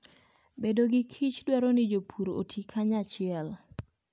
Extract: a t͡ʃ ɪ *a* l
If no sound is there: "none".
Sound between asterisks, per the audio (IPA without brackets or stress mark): ɛ